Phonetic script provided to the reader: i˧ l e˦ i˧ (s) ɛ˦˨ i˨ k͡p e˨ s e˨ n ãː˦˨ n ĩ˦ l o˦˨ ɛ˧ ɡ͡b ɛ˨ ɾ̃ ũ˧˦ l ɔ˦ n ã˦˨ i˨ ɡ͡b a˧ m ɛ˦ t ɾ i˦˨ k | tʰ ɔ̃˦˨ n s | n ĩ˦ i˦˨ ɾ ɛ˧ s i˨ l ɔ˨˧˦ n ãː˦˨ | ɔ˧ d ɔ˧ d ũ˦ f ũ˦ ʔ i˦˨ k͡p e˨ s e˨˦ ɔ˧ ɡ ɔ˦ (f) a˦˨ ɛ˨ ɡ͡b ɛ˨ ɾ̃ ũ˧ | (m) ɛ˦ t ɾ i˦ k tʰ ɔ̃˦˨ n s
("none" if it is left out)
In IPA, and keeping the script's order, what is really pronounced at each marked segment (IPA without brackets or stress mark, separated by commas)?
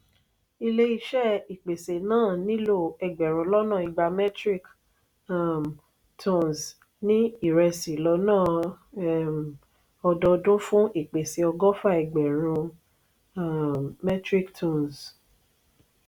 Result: ʃ, f, m